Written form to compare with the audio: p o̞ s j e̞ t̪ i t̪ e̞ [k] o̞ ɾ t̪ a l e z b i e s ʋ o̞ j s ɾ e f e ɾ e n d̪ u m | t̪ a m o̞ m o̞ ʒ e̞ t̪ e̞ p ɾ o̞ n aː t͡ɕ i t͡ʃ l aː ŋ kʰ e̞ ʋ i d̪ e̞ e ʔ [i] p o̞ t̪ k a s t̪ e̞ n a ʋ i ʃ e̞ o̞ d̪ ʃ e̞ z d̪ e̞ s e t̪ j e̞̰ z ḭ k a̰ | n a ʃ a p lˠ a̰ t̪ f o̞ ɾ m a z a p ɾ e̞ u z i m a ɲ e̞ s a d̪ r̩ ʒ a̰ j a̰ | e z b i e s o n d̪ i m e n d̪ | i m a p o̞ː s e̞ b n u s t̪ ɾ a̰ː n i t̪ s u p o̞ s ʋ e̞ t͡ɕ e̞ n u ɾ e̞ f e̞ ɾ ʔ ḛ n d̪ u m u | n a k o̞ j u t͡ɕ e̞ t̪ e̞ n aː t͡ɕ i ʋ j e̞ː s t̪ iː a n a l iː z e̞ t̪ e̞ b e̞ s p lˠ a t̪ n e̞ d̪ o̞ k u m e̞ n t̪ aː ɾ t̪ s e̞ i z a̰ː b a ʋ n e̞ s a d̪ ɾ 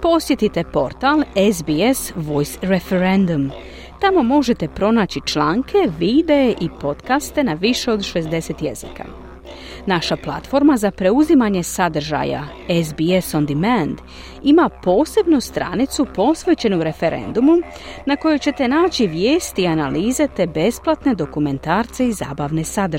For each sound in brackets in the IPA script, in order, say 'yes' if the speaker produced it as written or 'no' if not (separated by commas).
no, yes